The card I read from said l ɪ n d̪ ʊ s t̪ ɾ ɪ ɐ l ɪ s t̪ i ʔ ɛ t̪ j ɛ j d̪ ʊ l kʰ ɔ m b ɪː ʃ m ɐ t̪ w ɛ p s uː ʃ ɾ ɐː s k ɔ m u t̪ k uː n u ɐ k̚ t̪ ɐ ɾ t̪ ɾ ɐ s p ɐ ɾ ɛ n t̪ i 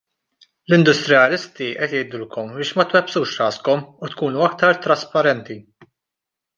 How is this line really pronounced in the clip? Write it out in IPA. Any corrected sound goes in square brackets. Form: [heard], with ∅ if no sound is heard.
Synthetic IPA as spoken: l ɪ n d̪ ʊ s t̪ ɾ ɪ ɐ l ɪ s t̪ i ʔ ɛ t̪ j ɛ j d̪ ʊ l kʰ ɔ m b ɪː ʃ m ɐ t̪ w ɛ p s uː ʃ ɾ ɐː s k ɔ m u t̪ k uː n u ɐ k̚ t̪ ɐ ɾ t̪ ɾ ɐ s p ɐ ɾ ɛ n t̪ i